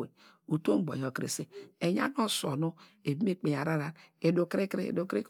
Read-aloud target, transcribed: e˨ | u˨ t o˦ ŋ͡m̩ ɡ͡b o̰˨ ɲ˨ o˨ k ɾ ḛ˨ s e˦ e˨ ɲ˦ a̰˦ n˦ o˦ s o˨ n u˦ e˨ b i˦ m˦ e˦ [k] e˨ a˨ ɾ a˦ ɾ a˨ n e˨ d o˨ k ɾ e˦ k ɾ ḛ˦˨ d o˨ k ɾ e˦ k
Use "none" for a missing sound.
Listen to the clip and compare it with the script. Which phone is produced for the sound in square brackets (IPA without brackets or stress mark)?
k͡p